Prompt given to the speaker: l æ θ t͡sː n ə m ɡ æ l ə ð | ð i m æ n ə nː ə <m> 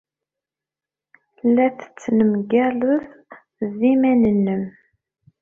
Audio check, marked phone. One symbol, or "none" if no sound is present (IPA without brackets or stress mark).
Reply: m